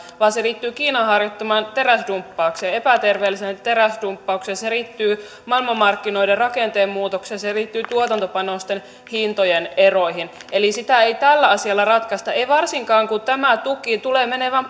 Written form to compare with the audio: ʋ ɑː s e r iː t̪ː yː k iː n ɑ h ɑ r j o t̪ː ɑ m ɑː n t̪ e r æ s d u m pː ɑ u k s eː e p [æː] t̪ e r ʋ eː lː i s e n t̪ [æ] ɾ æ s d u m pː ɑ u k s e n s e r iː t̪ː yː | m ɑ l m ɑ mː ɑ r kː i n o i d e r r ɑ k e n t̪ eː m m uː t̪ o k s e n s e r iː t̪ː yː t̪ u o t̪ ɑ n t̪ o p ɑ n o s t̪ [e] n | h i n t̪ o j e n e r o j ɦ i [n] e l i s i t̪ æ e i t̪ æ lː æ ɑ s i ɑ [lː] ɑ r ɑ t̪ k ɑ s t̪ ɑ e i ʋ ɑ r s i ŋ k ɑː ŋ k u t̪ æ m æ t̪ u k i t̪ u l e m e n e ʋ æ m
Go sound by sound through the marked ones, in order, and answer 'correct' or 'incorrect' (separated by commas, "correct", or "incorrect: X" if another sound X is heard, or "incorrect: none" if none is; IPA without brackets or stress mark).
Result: incorrect: æ, incorrect: e, correct, correct, correct